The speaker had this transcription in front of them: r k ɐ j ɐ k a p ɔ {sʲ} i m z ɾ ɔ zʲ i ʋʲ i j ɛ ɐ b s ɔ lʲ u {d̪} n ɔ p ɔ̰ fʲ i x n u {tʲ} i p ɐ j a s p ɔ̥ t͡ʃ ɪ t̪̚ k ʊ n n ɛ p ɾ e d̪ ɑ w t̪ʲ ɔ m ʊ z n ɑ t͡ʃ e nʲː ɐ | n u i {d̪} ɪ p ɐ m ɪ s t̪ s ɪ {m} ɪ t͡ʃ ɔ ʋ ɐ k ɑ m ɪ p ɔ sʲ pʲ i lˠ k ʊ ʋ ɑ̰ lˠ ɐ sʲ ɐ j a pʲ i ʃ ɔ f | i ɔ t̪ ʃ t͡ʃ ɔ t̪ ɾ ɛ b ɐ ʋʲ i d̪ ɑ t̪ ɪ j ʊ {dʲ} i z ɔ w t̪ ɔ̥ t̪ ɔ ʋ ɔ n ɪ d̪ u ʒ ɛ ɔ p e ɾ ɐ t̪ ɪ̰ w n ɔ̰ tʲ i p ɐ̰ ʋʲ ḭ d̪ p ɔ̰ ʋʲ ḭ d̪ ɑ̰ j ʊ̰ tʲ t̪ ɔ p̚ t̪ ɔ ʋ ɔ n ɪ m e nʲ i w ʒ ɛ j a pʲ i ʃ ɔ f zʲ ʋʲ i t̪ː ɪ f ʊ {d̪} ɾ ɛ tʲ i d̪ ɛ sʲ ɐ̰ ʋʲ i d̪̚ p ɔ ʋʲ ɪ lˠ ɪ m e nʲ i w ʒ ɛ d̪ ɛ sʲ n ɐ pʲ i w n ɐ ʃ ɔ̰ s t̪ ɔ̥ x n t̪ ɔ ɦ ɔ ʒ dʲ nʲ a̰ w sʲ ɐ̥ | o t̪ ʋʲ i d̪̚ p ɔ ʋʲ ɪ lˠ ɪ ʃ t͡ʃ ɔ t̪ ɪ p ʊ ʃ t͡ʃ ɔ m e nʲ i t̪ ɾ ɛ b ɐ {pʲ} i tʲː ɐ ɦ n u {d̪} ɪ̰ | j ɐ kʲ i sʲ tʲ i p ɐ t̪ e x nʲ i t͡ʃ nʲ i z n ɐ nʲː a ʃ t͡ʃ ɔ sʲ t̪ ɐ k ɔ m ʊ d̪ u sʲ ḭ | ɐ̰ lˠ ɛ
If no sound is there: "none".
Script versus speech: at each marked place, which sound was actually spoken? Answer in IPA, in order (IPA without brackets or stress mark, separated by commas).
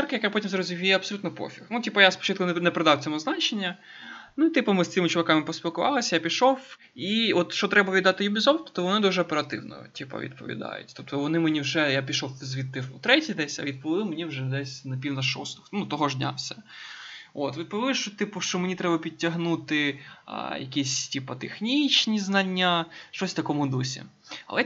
tʲ, t̪, tʲ, t̪, m, bʲ, t̪, pʲ, t̪